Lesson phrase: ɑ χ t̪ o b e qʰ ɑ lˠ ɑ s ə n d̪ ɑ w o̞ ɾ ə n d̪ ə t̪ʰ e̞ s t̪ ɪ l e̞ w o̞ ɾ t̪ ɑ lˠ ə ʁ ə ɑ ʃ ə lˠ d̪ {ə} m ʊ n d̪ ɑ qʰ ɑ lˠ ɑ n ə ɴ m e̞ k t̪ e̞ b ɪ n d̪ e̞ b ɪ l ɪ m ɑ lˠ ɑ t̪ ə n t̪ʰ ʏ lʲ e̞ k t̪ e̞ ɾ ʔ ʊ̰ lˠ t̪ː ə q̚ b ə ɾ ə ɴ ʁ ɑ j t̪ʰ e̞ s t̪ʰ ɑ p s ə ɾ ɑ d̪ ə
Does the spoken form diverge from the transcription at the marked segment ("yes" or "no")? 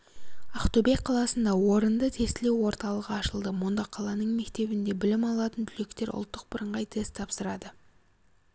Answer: no